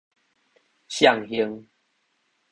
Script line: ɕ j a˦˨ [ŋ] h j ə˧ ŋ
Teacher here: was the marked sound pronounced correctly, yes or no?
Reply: yes